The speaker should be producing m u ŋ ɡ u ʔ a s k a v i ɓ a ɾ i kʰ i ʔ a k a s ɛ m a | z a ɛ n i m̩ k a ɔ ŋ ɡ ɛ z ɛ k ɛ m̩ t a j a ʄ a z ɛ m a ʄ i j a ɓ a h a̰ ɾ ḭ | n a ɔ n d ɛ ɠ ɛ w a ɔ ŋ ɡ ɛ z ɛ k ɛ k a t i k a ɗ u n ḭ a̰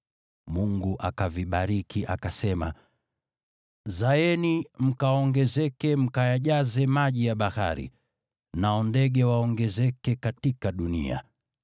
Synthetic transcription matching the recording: m u ŋ ɡ u ʔ a k a v i ɓ a ɾ i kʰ i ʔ a k a s ɛ m a | z a ɛ n i m̩ k a ɔ ŋ ɡ ɛ z ɛ k ɛ m̩ k a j a ʄ a z ɛ m a ʄ i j a ɓ a h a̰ ɾ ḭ | n a ɔ n d ɛ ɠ ɛ w a ɔ ŋ ɡ ɛ z ɛ k ɛ k a t i k a ɗ u n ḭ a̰

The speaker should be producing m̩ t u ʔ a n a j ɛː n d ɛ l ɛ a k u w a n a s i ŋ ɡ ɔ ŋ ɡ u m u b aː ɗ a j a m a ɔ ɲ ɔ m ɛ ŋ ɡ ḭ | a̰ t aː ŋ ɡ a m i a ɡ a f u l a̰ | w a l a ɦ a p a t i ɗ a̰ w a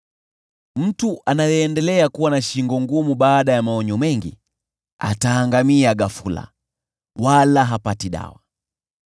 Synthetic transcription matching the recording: m̩ t u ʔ a n a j ɛː n d ɛ l ɛ a k u w a n a ʃ i ŋ ɡ ɔ ŋ ɡ u m u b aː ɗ a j a m a ɔ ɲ ɔ m ɛ ŋ ɡ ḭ | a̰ t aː ŋ ɡ a m i a ɡ a f u l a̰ | w a l a ɦ a p a t i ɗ a̰ w a

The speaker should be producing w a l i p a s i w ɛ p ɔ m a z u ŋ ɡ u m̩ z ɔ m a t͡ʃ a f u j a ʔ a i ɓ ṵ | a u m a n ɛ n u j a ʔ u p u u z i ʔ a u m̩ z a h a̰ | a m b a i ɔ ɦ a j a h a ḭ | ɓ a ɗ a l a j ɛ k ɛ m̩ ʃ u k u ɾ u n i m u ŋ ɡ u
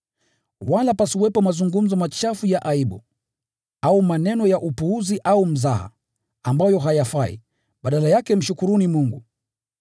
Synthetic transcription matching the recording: w a l a p a s i w ɛ p ɔ m a z u ŋ ɡ u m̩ z ɔ m a t͡ʃ a f u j a ʔ a i ɓ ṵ | a u m a n ɛ n ɔ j a ʔ u p u u z i ʔ a u m̩ z a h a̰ | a m b a j ɔ ɦ a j a f a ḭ | ɓ a ɗ a l a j a k ɛ m̩ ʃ u k u ɾ u n i m u ŋ ɡ u

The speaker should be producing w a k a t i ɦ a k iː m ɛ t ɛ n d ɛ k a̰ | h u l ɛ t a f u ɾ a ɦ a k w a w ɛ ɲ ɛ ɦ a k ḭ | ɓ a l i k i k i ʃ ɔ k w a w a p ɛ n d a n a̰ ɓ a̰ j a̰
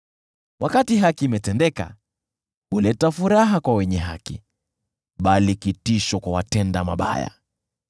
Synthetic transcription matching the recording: w a k a t i ɦ a k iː m ɛ t ɛ n d ɛ k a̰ | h u l ɛ t a f u ɾ a ɦ a k w a w ɛ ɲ ɛ ɦ a k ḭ | ɓ a l i k i t i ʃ ɔ k w a w a t ɛ n d a m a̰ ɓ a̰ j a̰

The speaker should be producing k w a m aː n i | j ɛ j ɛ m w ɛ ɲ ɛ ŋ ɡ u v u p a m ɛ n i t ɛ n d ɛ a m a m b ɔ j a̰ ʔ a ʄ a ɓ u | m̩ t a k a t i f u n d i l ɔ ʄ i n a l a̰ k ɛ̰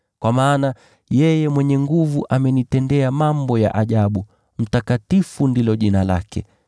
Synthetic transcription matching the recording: k w a m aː n a | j ɛ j ɛ m w ɛ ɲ ɛ ŋ ɡ u v u ʔ a m ɛ n i t ɛ n d ɛ a m a m b ɔ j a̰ ʔ a ʄ a ɓ u | m̩ t a k a t i f u n d i l ɔ ʄ i n a l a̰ k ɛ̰

